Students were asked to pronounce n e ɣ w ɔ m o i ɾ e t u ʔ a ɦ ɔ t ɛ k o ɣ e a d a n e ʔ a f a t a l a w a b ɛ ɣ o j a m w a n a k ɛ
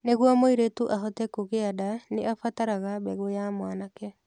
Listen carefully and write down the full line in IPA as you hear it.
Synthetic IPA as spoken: n e ɣ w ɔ m o i ɾ e t u ʔ a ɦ ɔ t ɛ k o ɣ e a d a n e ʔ a f a t a ɾ a ɣ a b ɛ ɣ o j a m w a n a k ɛ

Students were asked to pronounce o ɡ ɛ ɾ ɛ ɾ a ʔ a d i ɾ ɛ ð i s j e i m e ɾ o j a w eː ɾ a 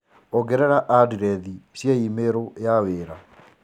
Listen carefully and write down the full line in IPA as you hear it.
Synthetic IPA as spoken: o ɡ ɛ ɾ ɛ ɾ a ʔ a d i ɾ ɛ ð i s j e i m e ɾ o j a w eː ɾ a

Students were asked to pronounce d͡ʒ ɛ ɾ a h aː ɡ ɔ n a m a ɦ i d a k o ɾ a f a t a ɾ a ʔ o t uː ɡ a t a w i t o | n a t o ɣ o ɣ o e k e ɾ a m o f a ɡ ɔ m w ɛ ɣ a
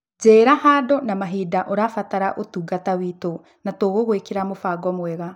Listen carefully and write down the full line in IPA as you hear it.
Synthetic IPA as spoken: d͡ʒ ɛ ɾ a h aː d ɔ n a m a ɦ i d a ʔ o ɾ a f a t a ɾ a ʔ o t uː ɡ a t a w i t o | n a t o ɣ o ɣ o e k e ɾ a m o f a ɡ ɔ m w ɛ ɣ a

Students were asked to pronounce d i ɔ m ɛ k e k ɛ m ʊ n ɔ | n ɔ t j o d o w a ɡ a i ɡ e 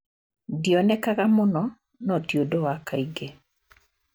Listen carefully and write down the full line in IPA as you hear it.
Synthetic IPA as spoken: d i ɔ n ɛ k a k a m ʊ n ɔ | n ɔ t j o d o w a k a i ɡ e

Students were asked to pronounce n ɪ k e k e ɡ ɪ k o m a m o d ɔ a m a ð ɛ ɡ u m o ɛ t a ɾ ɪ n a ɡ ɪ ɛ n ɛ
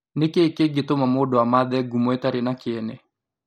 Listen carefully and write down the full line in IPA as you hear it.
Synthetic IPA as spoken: n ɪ k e k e ɡ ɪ t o m a m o d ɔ a m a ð ɛ ɡ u m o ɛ t a ɾ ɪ n a k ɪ ɛ n ɛ

